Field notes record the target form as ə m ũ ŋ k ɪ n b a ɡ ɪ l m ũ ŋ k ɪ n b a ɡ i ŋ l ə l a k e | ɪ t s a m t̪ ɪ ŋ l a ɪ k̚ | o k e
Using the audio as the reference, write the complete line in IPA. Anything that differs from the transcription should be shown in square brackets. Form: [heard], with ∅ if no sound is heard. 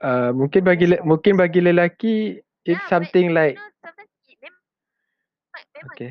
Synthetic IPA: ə m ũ ŋ k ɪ n b a ɡ [i] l m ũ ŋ k ɪ n b a ɡ i [∅] l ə l a k [i] | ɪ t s a m t̪ ɪ ŋ l a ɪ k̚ | o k e